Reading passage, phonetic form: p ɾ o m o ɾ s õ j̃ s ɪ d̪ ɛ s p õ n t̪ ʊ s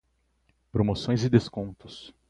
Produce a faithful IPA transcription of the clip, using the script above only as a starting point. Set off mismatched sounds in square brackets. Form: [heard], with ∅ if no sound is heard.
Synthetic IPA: p ɾ o m o [∅] s õ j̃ [z] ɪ d̪ [e] s [k] õ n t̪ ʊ s